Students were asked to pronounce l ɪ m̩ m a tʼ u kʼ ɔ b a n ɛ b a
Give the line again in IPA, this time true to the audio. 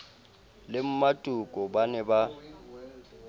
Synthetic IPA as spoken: l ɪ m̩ m a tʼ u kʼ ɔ b a n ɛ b a